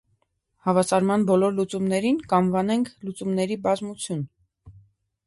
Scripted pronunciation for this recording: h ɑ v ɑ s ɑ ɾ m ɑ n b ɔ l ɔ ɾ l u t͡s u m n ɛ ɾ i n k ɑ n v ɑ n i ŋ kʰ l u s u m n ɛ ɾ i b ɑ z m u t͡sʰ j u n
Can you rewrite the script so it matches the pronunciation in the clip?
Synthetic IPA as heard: h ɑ v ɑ s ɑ ɾ m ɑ n b ɔ l ɔ ɾ l u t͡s u m n ɛ ɾ i n k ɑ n v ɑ n ɛ ŋ kʰ l u t͡s u m n ɛ ɾ i b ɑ z m u t͡sʰ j u n

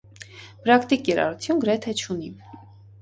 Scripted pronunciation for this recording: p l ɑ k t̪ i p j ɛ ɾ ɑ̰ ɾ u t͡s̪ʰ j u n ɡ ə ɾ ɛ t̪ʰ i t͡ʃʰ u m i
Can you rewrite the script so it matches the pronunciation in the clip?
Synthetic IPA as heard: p ɾ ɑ k t̪ i k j ɛ ɾ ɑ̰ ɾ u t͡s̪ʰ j u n ɡ ə ɾ ɛ t̪ʰ ɛ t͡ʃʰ u n i

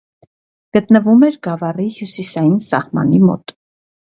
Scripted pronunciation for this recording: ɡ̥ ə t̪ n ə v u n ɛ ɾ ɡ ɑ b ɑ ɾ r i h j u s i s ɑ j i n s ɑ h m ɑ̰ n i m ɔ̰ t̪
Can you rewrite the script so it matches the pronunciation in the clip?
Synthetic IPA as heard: ɡ̥ ə t̪ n ə v u m ɛ ɾ ɡ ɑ v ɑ r i h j u s i s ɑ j i n s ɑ h m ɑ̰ n i m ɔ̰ t̪

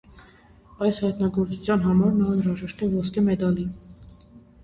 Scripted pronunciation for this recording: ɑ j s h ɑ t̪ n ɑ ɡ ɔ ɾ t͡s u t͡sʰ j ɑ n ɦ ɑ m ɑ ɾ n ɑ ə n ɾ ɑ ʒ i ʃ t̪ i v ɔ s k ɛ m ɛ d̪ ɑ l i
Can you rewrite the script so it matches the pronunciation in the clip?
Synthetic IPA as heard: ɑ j s h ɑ t̪ n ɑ ɡ ɔ ɾ t͡s u t͡sʰ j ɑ n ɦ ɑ m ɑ ɾ n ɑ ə n ɾ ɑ ʒ ɛ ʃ t̪ ɛ v ɔ s k ɛ m ɛ d̪ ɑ l i

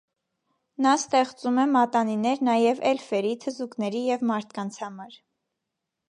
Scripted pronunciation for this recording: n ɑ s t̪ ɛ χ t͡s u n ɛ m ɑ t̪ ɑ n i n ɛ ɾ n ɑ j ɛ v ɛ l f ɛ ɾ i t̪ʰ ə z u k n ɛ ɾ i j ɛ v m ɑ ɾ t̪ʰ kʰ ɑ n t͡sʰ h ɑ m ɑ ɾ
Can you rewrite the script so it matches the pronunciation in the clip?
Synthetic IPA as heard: n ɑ s t̪ ɛ χ t͡s u m ɛ m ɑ t̪ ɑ n i n ɛ ɾ n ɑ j ɛ v ɛ l f ɛ ɾ i t̪ʰ ə z u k n ɛ ɾ i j ɛ v m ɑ ɾ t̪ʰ k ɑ n t͡sʰ h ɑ m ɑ ɾ

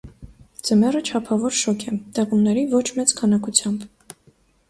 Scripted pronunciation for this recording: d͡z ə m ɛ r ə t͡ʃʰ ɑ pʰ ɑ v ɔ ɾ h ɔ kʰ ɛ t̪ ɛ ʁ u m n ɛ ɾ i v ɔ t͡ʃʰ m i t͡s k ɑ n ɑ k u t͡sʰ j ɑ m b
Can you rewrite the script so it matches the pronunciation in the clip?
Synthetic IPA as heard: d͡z ə m ɛ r ə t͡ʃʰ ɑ pʰ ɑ v ɔ ɾ ʃ ɔ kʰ ɛ t̪ ɛ ʁ u m n ɛ ɾ i v ɔ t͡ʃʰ m ɛ t͡s kʰ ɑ n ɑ k u t͡sʰ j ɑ m b

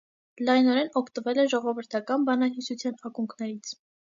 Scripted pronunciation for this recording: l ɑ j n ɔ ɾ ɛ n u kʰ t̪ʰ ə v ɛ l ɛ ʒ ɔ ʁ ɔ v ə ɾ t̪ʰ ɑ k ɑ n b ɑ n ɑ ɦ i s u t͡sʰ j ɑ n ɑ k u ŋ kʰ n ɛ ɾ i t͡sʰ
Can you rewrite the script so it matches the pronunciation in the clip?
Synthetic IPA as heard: l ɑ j n ɔ ɾ ɛ n ɔ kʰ t̪ ə v ɛ l ɛ ʒ ɔ ʁ ɔ v ə ɾ t̪ʰ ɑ k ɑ n b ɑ n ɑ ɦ i s u t͡sʰ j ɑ n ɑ k u ŋ kʰ n ɛ ɾ i t͡sʰ

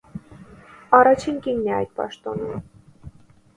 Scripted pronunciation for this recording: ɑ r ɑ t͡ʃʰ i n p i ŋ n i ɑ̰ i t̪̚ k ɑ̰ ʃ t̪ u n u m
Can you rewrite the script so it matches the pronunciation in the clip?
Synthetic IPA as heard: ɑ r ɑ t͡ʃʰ i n k i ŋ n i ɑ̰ j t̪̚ p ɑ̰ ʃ t̪ ɔ n u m

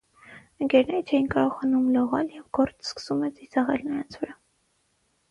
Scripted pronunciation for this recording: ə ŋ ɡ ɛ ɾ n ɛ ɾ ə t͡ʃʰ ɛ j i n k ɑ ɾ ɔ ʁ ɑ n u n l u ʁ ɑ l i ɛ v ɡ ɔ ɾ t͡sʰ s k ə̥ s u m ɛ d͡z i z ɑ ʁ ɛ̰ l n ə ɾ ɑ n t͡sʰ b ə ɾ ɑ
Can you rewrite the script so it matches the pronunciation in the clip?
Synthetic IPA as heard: ə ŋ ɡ ɛ ɾ n ɛ ɾ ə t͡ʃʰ ɛ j i n k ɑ ɾ ɔ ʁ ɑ n u m l ɔ ʁ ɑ l j ɛ v ɡ ɔ ɾ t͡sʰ s k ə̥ s u m ɛ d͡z i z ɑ ʁ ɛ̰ l n ə ɾ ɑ n t͡sʰ v ə ɾ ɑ

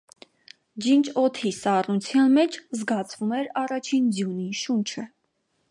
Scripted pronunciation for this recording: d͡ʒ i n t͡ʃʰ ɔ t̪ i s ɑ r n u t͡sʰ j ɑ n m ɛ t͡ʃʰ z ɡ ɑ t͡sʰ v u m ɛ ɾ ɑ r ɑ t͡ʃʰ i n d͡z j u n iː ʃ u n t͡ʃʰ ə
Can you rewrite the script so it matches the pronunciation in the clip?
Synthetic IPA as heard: d͡ʒ i n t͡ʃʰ ɔ t̪ʰ i s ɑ r n u t͡sʰ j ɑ n m ɛ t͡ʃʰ z ɡ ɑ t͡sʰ v u m ɛ ɾ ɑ r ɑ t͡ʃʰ i n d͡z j u n i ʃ u n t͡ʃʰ ə

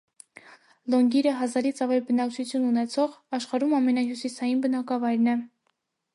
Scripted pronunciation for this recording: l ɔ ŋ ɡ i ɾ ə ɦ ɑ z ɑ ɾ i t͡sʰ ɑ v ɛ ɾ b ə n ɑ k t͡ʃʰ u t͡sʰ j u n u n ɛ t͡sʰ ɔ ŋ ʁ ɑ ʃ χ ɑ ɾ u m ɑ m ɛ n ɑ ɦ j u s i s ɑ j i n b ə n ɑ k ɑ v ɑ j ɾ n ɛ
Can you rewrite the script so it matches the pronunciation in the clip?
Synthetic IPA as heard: l ɔ ŋ ɡ i ɾ ə ɦ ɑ z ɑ ɾ i t͡sʰ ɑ v ɛ l b ə n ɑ k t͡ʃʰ u t͡sʰ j u n u n ɛ t͡sʰ ɔ ʁ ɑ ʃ χ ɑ ɾ u m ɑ m ɛ n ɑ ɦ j u s i s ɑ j i n b ə n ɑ k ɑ v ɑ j ɾ n ɛ

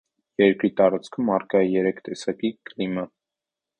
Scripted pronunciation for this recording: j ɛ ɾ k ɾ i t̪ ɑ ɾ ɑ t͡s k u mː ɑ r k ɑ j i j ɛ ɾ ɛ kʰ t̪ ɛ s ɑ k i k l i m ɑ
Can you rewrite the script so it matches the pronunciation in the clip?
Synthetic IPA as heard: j ɛ ɾ k ɾ i t̪ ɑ ɾ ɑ t͡s kʰ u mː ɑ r k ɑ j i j ɛ ɾ ɛ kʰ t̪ ɛ s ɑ k i k l i m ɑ

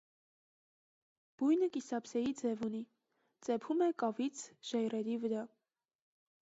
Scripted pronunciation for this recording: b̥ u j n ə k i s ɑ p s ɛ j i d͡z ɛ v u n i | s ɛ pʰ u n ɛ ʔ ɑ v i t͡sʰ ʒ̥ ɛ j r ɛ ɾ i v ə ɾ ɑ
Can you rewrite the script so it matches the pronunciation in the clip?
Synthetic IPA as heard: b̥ u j n ə k i s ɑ p s ɛ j i d͡z ɛ v u n i | t͡s ɛ pʰ u m ɛ k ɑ v i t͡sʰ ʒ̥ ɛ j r ɛ ɾ i v ə ɾ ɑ

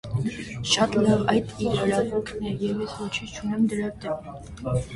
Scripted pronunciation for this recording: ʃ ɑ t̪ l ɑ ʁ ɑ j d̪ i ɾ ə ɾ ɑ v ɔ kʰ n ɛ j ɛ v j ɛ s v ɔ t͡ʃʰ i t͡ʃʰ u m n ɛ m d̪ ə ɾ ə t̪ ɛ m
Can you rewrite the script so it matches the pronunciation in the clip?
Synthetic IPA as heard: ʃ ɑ t̪ l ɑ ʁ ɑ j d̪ i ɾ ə ɾ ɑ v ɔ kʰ n ɛ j ɛ v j ɛ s v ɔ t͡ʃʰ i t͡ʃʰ u n ɛ m d̪ ə ɾ ɑ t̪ ɛ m

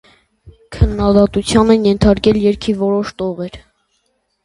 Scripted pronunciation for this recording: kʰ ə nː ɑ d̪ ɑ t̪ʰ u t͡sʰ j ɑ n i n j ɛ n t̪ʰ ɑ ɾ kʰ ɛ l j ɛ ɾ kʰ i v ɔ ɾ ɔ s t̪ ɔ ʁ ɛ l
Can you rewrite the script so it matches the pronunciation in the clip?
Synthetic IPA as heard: kʰ ə nː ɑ d̪ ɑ t̪ u t͡sʰ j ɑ n ɛ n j ɛ n t̪ʰ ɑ ɾ k ɛ l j ɛ ɾ kʰ i v ɔ ɾ ɔ ʃ t̪ ɔ ʁ ɛ ɾ

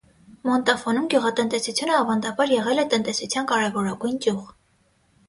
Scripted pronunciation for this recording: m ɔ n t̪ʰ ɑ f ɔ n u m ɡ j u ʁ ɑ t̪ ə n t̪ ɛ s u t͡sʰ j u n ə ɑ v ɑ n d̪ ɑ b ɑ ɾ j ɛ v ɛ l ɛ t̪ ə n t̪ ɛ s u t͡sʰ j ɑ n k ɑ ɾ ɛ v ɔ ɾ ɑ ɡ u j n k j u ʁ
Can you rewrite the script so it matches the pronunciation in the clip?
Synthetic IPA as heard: m ɔ n t̪ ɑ f ɔ n u m ɡ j u ʁ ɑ t̪ ə n t̪ ɛ s u t͡sʰ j u n ə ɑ v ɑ n d̪ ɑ b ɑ ɾ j ɛ ʁ ɛ l ɛ t̪ ə n t̪ ɛ s u t͡sʰ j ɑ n k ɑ ɾ ɛ v ɔ ɾ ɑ ɡ u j n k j u ʁ

